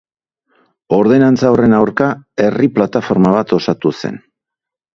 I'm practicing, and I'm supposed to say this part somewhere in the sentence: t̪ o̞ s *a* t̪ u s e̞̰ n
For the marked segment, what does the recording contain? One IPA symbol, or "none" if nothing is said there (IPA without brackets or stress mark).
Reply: a